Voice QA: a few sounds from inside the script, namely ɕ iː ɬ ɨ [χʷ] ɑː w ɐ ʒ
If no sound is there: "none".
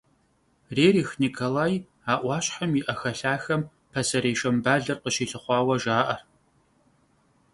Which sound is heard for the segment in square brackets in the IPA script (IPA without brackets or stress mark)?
χʷ